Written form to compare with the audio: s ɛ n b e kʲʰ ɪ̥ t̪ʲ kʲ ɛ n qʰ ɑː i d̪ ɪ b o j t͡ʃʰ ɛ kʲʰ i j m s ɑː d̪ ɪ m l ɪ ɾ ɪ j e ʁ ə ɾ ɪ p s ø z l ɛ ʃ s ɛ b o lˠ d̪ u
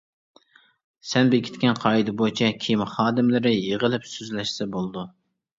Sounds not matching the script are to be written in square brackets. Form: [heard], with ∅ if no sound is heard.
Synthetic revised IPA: s ɛ n b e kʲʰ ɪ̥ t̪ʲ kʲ ɛ n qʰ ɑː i d̪ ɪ b o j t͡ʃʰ ɛ kʲʰ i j m [χ] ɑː d̪ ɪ m l ɪ ɾ ɪ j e ʁ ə [l] ɪ p s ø z l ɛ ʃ s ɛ b o lˠ d̪ u